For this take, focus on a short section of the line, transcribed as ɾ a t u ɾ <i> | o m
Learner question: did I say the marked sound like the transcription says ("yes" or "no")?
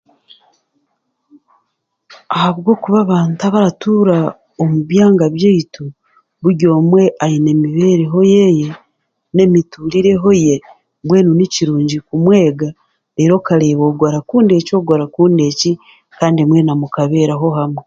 no